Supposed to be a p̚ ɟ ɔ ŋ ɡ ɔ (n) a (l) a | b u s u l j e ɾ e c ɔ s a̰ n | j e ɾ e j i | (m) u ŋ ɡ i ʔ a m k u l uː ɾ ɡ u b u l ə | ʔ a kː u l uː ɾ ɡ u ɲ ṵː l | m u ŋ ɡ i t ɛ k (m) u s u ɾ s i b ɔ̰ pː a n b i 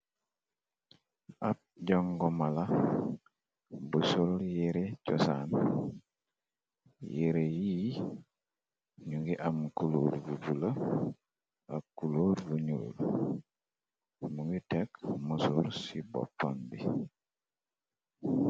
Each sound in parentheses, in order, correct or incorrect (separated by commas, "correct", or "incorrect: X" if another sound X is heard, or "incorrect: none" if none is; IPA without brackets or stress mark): incorrect: m, correct, incorrect: ɲ, correct